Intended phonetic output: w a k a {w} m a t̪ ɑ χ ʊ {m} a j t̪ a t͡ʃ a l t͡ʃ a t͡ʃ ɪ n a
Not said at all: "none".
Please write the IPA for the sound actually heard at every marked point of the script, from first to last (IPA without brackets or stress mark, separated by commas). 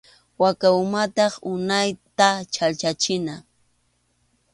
w, n